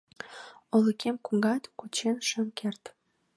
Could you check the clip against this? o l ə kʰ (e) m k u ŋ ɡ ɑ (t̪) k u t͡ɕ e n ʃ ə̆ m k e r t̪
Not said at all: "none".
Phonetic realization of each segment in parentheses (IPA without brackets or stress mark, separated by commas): e, t̪